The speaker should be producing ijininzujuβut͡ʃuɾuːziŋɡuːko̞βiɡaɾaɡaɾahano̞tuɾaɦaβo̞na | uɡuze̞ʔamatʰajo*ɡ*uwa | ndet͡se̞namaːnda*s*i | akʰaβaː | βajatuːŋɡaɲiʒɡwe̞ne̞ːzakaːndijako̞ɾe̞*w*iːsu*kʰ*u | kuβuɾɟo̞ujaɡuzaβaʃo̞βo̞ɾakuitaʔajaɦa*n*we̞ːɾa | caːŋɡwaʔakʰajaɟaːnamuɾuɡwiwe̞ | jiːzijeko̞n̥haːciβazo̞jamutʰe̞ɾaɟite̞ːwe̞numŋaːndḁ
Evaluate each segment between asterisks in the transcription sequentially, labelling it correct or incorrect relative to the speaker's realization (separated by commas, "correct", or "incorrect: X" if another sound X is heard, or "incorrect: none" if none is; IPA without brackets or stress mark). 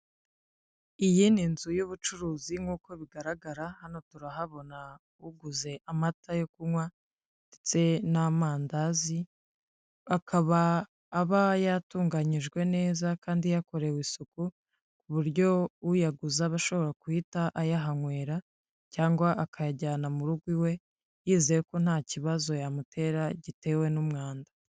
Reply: incorrect: k, incorrect: z, correct, incorrect: k, incorrect: ŋ